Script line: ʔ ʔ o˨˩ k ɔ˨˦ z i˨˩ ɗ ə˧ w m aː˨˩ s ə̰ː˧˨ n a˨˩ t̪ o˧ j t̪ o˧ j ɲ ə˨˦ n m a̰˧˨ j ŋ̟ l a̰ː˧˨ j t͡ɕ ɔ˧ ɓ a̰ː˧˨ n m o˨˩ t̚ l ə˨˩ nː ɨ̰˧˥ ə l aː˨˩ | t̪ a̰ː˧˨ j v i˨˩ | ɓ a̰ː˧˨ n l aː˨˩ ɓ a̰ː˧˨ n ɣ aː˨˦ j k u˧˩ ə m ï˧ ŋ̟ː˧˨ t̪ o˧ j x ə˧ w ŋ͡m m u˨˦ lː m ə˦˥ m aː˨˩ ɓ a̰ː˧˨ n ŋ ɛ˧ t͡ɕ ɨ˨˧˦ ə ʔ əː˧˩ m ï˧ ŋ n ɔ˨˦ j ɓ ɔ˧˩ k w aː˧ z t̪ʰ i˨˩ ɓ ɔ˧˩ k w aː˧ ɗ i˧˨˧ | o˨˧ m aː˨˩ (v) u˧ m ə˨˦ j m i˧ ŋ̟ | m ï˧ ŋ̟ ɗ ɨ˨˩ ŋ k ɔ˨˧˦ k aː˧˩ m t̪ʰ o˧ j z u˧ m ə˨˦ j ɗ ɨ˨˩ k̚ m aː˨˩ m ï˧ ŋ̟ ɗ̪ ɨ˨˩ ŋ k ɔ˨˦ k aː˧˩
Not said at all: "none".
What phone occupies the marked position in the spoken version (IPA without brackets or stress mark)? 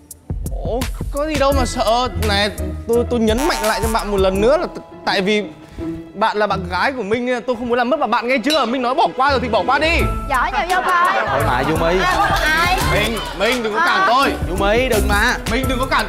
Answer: z